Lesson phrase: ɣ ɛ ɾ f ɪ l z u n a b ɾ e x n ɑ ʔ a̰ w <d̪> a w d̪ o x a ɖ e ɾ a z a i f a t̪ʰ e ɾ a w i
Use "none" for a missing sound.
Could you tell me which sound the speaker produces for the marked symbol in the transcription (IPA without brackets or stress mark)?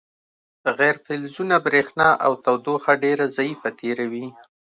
t̪